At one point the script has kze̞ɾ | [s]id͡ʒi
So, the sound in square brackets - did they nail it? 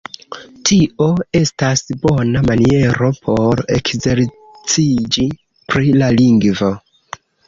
no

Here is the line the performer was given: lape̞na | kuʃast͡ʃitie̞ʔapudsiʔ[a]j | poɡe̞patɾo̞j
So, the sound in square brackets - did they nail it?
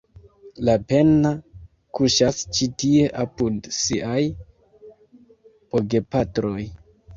yes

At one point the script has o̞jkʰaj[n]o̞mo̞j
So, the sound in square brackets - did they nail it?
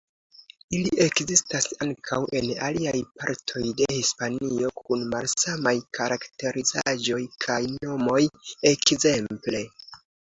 yes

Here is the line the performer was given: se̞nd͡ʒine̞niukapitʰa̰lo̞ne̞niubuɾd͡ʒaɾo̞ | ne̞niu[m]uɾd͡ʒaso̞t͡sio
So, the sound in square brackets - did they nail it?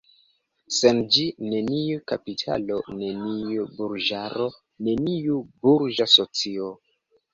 no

